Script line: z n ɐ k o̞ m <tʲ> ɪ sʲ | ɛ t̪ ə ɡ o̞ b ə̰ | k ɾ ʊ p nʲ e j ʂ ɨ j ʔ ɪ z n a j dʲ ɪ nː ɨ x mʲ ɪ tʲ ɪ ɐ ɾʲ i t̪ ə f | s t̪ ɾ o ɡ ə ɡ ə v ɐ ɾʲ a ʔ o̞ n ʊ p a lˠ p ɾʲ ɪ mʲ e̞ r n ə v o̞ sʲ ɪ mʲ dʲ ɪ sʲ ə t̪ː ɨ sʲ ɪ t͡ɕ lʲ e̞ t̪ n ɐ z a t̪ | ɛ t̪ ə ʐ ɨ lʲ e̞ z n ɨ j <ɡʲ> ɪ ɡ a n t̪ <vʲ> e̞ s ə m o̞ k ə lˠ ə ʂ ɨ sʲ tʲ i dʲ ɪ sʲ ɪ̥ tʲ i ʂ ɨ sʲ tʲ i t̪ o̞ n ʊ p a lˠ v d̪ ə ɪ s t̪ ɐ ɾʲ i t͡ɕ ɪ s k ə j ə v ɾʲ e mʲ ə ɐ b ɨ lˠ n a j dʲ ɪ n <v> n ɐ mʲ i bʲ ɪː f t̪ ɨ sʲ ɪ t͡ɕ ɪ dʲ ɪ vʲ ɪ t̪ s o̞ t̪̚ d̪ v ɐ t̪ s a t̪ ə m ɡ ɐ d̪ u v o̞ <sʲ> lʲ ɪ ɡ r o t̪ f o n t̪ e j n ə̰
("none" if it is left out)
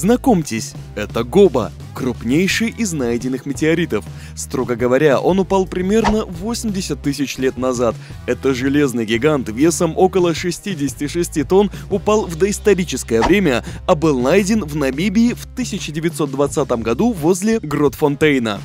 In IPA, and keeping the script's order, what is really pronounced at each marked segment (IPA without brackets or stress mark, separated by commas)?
tʲ, ɡʲ, vʲ, v, zʲ